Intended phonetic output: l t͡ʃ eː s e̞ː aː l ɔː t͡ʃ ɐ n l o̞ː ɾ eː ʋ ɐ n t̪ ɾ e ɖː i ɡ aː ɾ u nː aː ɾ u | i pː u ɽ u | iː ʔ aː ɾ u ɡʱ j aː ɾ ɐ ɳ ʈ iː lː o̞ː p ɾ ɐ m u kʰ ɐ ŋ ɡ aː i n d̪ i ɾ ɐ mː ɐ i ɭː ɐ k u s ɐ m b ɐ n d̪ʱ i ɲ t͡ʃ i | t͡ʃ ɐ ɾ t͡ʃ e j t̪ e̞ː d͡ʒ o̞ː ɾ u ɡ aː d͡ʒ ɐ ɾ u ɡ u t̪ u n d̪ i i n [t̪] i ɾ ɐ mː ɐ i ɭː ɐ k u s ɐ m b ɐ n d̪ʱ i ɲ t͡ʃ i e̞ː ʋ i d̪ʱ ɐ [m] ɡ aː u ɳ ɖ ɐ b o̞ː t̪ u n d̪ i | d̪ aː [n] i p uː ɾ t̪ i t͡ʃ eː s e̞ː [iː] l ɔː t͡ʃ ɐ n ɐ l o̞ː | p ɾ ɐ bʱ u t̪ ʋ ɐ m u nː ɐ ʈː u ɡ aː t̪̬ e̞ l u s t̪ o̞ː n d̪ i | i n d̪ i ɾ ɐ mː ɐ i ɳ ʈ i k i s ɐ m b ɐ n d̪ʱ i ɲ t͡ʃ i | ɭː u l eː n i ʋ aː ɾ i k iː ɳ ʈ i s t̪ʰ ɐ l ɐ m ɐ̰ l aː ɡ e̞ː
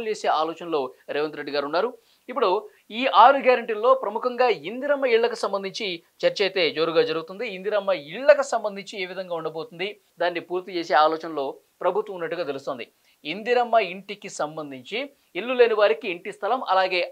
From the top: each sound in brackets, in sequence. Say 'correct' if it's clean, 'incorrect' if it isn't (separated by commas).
incorrect, incorrect, incorrect, incorrect